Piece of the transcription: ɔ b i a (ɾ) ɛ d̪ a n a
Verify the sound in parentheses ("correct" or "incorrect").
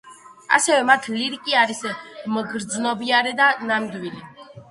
correct